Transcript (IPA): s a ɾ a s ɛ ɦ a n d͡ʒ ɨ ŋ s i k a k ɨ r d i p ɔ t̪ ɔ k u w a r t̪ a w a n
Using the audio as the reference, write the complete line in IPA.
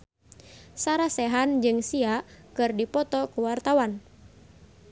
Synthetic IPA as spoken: s a ɾ a s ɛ ɦ a n d͡ʒ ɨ ŋ s i a k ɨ r d i p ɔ t̪ ɔ k u w a r t̪ a w a n